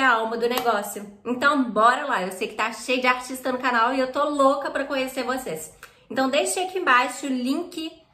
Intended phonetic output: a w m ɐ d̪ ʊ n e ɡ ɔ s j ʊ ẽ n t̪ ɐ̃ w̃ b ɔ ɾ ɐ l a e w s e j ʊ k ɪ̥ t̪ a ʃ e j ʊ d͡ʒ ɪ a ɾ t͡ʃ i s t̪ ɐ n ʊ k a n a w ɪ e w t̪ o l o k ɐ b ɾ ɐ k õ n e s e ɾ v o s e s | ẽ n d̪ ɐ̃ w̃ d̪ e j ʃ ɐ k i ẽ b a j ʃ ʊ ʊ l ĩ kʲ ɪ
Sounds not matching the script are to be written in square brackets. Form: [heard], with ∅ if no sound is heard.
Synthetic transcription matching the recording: a w m ɐ d̪ ʊ n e ɡ ɔ s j ʊ ẽ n t̪ ɐ̃ w̃ b ɔ ɾ ɐ l a e w s e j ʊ k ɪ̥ t̪ a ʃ e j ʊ d͡ʒ ɪ a ɾ t͡ʃ i s t̪ ɐ n ʊ k a n a w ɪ e w t̪ o l o k ɐ [p] ɾ ɐ k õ [ɲ] e s e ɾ v o s e s | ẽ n [t̪] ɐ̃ w̃ d̪ e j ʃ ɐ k i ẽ b a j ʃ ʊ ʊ l ĩ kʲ ɪ